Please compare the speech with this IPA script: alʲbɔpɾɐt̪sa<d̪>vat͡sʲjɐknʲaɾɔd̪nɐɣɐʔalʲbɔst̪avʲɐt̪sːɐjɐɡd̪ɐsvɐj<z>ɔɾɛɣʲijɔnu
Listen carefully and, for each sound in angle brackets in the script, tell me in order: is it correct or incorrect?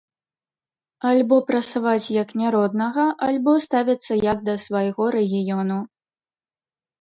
incorrect: none, incorrect: ɣ

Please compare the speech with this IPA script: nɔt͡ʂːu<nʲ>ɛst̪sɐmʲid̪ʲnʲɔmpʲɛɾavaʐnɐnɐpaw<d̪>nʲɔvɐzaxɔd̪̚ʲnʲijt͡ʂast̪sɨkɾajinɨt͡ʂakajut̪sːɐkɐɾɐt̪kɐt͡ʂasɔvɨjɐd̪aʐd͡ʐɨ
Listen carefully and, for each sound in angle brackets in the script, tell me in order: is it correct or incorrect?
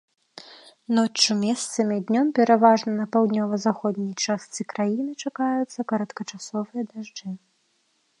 incorrect: mʲ, correct

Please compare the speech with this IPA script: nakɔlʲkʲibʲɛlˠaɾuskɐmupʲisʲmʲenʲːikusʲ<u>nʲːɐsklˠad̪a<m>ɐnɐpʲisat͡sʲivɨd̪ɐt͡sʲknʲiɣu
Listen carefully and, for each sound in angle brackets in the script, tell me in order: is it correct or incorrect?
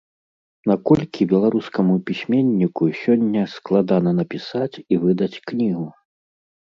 incorrect: ɔ, incorrect: n

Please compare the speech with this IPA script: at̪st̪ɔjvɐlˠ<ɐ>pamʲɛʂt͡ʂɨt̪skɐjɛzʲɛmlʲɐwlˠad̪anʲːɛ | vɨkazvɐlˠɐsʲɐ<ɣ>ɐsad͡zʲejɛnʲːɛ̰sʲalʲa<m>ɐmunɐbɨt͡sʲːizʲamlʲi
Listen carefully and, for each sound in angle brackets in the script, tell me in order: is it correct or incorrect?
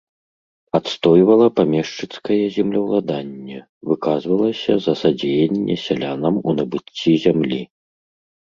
correct, incorrect: z, incorrect: n

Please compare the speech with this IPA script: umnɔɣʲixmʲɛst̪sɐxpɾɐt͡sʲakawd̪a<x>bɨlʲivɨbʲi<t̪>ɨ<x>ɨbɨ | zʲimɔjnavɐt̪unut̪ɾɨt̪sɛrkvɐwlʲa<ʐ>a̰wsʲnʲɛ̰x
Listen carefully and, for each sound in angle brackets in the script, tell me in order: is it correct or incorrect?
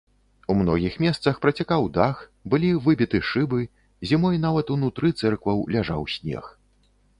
correct, correct, incorrect: ʂ, correct

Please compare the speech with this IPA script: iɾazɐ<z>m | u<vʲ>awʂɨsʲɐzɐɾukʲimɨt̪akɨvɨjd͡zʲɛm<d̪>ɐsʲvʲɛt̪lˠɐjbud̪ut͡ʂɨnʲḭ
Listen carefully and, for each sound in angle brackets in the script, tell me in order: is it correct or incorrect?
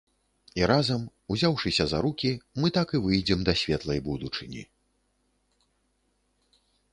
incorrect: none, incorrect: zʲ, correct

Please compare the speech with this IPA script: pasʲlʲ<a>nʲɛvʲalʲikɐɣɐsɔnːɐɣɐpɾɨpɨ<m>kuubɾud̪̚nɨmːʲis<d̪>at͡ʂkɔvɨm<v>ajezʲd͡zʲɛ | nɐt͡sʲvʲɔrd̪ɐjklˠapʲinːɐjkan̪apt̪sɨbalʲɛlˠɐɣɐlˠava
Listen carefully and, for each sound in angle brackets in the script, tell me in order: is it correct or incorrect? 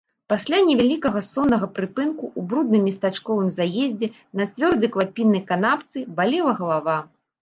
correct, incorrect: n, incorrect: t̪, incorrect: z

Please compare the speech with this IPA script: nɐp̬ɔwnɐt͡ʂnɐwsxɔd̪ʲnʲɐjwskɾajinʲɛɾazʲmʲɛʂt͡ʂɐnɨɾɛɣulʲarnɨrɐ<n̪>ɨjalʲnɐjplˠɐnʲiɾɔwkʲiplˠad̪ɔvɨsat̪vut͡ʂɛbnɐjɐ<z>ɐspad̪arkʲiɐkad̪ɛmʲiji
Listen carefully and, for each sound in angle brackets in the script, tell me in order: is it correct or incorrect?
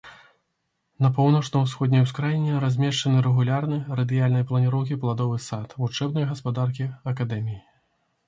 incorrect: d̪, incorrect: ɣ

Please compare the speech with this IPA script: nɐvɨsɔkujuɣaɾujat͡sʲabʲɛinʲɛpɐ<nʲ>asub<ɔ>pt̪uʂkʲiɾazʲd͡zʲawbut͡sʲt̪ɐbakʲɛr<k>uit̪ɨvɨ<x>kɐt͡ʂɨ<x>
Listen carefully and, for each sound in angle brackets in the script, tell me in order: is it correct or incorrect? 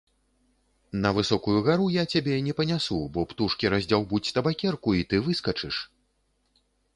correct, correct, correct, incorrect: s, incorrect: ʂ

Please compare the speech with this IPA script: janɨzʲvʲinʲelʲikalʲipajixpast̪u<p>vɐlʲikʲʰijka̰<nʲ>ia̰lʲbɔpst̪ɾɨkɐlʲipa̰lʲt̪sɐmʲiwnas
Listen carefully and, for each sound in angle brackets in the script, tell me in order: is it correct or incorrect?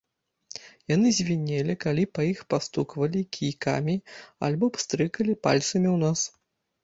incorrect: k, incorrect: mʲ

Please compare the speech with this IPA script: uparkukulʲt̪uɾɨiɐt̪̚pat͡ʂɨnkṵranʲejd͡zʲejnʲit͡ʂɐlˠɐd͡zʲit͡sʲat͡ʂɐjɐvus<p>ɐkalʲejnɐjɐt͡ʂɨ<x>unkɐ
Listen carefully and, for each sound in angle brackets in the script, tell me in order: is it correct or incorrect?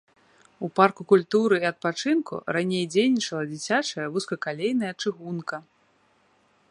incorrect: k, incorrect: ɣ

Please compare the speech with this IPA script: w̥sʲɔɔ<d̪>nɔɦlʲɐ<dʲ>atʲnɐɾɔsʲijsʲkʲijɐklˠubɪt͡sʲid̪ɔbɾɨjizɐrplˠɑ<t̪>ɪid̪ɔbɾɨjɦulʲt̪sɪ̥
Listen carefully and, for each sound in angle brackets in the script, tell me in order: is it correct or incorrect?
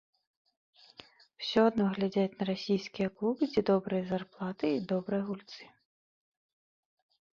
correct, correct, correct

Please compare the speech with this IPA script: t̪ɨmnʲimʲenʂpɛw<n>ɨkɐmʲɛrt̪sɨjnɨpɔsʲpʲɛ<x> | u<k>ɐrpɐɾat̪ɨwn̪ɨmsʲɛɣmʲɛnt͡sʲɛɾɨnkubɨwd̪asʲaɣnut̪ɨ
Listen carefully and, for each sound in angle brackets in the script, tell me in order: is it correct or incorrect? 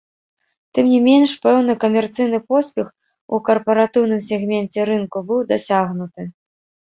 correct, correct, correct

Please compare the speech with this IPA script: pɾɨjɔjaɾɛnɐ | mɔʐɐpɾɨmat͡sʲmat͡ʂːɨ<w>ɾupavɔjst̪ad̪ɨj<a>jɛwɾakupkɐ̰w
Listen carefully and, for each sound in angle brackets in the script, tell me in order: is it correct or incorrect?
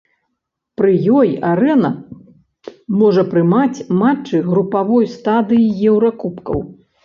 incorrect: ɣ, incorrect: i

